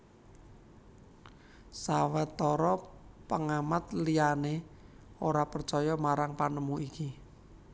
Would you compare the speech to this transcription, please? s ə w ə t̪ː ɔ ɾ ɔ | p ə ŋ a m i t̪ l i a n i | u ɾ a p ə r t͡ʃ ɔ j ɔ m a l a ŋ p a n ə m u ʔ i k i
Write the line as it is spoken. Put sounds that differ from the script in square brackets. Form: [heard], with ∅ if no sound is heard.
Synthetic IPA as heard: s [a] w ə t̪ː ɔ ɾ ɔ | p ə ŋ a m [a] t̪ l i a n [e] | [o] ɾ a p ə r t͡ʃ ɔ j ɔ m a [ɾ] a ŋ p a n ə m u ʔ i k i